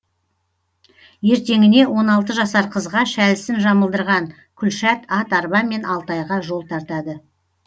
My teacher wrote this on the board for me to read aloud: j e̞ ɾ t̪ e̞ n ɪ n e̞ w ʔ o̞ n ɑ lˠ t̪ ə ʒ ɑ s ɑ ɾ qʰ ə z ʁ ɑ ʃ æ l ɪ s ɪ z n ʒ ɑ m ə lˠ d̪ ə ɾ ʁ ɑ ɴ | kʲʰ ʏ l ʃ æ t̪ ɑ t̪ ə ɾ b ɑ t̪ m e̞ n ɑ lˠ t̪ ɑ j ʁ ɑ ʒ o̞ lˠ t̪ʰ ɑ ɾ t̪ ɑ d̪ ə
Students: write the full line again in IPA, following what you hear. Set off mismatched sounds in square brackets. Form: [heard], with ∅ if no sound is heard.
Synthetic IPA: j e̞ ɾ t̪ e̞ [ŋ] ɪ n e̞ w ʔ o̞ n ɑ lˠ t̪ ə ʒ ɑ s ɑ ɾ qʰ ə z ʁ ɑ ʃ æ l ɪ s ɪ [∅] n ʒ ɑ m ə lˠ d̪ ə ɾ ʁ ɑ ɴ | kʲʰ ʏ l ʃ æ t̪ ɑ t̪ [ɑ] ɾ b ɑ [∅] m e̞ n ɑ lˠ t̪ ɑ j ʁ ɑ ʒ o̞ lˠ t̪ʰ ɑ ɾ t̪ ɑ d̪ ə